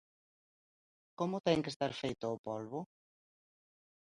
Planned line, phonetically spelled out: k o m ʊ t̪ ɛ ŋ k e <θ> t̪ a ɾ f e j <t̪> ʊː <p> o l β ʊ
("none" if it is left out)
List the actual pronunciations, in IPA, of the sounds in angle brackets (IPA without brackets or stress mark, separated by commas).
s, t̪, p